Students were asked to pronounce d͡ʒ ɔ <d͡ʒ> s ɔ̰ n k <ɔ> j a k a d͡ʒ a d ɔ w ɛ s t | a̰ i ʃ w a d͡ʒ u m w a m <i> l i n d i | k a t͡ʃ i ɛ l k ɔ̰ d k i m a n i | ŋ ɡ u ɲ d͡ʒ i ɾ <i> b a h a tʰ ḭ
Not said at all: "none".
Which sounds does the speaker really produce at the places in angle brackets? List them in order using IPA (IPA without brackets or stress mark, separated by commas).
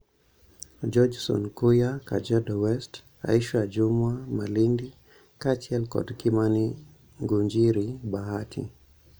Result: d͡ʒ, u, a, i